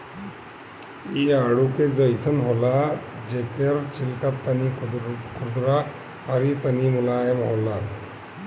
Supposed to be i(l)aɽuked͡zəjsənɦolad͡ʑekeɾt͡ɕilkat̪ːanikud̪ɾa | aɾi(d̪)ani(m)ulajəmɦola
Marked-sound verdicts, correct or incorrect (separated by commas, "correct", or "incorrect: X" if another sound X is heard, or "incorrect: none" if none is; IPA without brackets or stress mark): incorrect: none, incorrect: t̪, correct